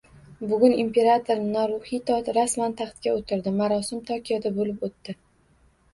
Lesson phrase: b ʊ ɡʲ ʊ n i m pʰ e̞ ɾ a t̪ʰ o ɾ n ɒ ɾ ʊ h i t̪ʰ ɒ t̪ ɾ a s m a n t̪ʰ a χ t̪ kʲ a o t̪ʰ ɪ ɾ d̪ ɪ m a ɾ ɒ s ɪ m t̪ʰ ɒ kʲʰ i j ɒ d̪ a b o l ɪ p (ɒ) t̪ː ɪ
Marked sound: incorrect: o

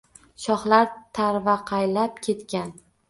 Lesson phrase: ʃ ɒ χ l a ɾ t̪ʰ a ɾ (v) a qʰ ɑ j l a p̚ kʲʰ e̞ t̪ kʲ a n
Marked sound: correct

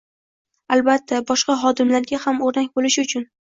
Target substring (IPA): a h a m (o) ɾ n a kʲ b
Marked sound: correct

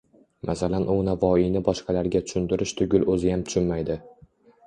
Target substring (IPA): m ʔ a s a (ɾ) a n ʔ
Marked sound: incorrect: l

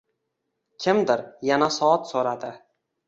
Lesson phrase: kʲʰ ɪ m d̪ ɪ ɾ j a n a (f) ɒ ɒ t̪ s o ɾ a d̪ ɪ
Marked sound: incorrect: s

